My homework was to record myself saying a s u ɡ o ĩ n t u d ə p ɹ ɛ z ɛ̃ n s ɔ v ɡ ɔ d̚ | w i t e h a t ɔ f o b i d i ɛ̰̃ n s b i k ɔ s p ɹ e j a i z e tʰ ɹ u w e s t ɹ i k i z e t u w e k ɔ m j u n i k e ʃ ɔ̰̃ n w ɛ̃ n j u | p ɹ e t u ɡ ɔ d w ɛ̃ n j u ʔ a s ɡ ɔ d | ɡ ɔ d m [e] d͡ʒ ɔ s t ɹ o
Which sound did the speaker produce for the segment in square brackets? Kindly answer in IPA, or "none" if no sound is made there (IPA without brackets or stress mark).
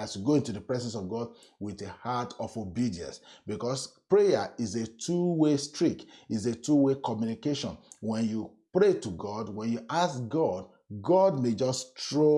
e